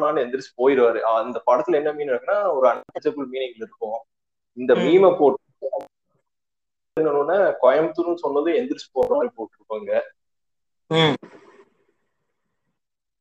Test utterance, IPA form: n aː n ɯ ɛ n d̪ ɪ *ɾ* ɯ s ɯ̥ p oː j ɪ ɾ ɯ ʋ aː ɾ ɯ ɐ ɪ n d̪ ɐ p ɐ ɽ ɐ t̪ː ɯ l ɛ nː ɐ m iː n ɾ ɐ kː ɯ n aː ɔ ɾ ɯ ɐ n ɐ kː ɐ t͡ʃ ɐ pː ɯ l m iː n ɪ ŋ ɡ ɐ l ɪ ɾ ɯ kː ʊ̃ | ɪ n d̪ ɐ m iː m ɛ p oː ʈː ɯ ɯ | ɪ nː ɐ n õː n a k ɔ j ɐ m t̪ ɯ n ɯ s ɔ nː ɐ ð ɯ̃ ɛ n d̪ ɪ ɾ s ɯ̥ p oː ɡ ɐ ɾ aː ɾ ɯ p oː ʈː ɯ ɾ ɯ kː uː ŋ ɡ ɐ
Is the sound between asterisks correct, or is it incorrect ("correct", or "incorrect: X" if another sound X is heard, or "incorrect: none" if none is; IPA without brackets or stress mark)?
correct